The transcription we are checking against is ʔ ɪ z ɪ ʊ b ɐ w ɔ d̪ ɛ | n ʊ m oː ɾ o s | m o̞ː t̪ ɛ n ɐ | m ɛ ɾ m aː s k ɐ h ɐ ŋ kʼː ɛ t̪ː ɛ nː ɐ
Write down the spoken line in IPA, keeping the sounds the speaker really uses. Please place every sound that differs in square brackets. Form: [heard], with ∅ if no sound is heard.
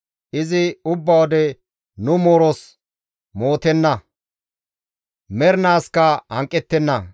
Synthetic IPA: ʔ ɪ z ɪ ʊ [bː] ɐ w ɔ d̪ ɛ | n ʊ m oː ɾ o s | m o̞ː t̪ ɛ [nː] ɐ | m ɛ ɾ [n] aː s k ɐ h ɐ ŋ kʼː ɛ t̪ː ɛ nː ɐ